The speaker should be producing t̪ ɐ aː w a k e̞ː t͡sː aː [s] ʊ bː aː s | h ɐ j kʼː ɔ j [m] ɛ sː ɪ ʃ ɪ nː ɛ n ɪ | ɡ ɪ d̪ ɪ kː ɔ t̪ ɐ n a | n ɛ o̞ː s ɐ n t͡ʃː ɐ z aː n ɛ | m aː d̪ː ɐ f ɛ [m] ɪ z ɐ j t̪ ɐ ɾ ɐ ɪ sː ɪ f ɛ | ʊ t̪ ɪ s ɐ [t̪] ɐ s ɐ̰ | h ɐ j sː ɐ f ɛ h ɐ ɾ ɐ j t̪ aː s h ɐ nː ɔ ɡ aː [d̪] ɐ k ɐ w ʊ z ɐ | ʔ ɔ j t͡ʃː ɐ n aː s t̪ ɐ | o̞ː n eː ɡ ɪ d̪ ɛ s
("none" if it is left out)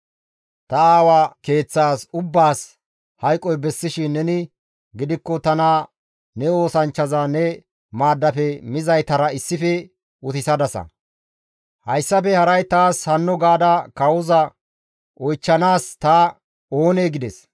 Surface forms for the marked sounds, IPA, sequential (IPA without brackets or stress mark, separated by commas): s, b, m, d̪, d̪